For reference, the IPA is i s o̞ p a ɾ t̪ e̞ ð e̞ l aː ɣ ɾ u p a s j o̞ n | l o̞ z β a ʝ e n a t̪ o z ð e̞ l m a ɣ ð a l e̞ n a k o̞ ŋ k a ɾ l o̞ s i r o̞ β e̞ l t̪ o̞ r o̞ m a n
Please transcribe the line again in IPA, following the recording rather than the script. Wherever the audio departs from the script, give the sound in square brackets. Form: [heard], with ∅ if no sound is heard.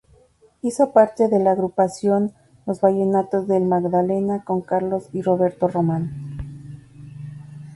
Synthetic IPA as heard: i s o̞ p a ɾ t̪ e̞ ð e̞ l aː ɣ ɾ u p a s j o̞ n | l o̞ z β a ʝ e n a t̪ o z ð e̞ l m a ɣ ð a l e̞ n a k o̞ ŋ k a ɾ l o̞ s i r o̞ β e̞ [ɾ] t̪ o̞ r o̞ m a n